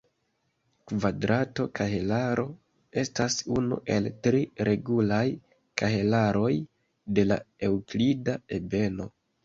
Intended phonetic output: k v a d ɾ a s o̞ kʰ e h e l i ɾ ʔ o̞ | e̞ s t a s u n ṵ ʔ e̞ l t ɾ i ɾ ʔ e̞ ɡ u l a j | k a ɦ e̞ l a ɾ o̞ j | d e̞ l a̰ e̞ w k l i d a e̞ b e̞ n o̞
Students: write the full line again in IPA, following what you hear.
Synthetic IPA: k v a d ɾ a t o̞ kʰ a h e l a ɾ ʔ o̞ | e̞ s t a s u n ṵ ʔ e̞ l t ɾ i ɾ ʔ e̞ ɡ u l a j | k a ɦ e̞ l a ɾ o̞ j | d e̞ l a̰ e̞ w k l i d a e̞ b e̞ n o̞